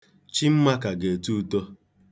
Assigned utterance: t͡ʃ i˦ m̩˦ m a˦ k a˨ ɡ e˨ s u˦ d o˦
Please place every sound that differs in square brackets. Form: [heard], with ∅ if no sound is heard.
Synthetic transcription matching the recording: t͡ʃ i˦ m̩˦ m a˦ k a˨ ɡ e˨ [t] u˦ [t] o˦